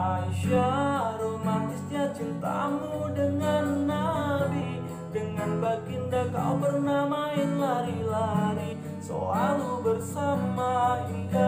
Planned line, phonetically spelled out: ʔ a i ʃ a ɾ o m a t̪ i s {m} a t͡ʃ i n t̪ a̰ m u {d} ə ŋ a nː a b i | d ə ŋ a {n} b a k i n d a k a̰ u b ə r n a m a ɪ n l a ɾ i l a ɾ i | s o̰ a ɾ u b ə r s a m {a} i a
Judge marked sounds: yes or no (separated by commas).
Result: no, yes, yes, yes